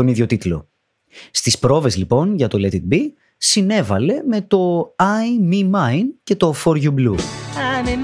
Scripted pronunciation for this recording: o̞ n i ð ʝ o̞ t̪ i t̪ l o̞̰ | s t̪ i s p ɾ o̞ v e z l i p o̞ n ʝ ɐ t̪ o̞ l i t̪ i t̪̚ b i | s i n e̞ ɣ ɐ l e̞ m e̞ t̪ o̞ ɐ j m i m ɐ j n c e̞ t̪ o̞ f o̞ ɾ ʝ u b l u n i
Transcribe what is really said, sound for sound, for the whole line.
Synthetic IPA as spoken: o̞ n i ð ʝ o̞ t̪ i t̪ l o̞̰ | s t̪ i s p ɾ o̞ v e z l i p o̞ n ʝ ɐ t̪ o̞ l e t̪ i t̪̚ b i | s i n e̞ v ɐ l e̞ m e̞ t̪ o̞ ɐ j m i m ɐ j n c e̞ t̪ o̞ f o̞ ɾ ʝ u b l u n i